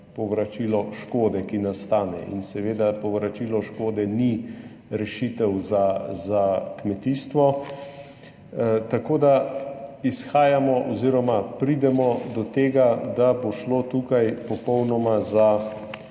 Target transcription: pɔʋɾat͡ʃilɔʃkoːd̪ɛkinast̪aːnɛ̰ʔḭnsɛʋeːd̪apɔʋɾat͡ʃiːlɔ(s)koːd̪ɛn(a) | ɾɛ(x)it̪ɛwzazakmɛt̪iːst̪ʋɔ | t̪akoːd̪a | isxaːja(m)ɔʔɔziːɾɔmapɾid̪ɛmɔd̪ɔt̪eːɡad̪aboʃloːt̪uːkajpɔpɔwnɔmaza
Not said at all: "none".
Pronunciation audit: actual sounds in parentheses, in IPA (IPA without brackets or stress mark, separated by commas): ʃ, i, ʃ, m